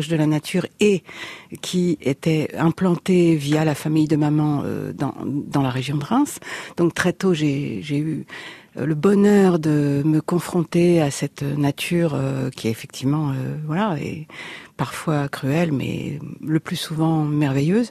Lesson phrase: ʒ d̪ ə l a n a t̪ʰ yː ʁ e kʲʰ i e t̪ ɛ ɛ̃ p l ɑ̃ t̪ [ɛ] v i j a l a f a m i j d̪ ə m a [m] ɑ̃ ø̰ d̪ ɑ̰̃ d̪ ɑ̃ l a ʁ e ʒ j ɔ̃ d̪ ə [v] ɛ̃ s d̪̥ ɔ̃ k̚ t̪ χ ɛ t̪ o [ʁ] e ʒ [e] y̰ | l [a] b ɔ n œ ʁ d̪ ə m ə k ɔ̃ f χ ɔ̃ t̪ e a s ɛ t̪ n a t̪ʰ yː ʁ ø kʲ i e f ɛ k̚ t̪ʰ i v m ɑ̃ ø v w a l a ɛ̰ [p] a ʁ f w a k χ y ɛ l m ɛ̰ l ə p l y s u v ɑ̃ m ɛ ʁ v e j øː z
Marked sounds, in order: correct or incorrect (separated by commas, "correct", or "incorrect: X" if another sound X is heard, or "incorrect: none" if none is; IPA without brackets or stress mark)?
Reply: incorrect: e, correct, incorrect: ʁ, incorrect: ʒ, correct, incorrect: ə, correct